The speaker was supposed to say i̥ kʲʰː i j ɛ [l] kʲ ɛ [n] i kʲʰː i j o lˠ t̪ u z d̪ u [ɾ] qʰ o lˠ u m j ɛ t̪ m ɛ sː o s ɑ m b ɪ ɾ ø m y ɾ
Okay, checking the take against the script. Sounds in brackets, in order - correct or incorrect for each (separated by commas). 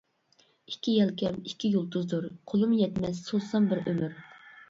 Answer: correct, incorrect, correct